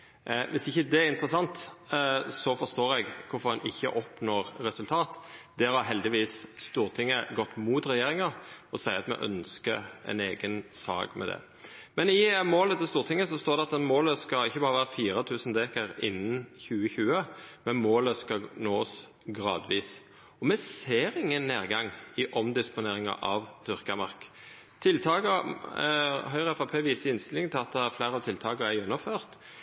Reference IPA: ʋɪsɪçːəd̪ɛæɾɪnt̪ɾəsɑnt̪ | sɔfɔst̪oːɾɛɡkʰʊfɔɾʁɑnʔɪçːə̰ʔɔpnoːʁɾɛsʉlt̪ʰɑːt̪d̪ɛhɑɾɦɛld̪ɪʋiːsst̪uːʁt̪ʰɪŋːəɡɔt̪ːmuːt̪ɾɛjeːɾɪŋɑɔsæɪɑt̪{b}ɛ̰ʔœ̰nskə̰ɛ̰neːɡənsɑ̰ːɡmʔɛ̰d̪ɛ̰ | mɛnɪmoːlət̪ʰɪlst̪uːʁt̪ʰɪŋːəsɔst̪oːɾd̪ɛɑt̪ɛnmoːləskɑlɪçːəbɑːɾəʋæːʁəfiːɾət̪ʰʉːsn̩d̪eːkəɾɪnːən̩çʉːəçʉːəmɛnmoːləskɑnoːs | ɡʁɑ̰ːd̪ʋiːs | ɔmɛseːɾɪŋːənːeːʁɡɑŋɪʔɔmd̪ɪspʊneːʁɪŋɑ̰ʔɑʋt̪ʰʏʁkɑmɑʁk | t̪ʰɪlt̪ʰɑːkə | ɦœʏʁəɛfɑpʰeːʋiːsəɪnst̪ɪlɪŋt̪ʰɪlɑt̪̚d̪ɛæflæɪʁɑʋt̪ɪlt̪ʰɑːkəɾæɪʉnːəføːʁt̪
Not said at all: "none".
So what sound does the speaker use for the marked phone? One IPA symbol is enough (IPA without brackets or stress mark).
m